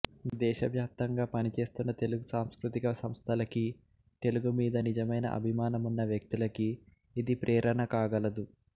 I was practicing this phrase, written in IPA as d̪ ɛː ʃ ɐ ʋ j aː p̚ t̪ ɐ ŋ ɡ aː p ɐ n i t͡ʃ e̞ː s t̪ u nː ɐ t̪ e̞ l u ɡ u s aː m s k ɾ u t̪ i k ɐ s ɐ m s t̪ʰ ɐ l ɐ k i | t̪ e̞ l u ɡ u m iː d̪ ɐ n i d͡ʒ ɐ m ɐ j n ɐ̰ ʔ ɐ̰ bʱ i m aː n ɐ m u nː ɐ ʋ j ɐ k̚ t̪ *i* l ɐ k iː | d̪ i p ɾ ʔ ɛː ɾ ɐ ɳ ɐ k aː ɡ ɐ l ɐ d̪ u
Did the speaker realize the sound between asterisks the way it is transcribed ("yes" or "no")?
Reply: yes